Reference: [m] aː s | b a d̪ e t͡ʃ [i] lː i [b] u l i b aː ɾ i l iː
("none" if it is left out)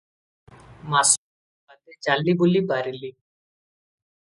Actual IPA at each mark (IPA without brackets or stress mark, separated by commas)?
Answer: m, a, b